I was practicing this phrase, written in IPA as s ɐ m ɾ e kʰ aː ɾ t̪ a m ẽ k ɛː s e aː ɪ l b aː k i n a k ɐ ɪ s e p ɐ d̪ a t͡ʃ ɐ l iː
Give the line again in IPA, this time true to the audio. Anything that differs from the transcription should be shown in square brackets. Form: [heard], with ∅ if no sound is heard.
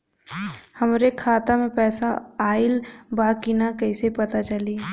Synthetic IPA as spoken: [h] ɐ m ɾ e kʰ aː [∅] t̪ a m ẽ [p] ɛː s [a] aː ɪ l b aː k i n a k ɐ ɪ s e p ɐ [t̪] a t͡ʃ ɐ l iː